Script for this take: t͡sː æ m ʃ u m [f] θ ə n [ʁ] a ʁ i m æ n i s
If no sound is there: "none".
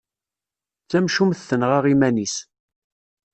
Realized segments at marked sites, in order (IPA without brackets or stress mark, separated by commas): θ, ʁ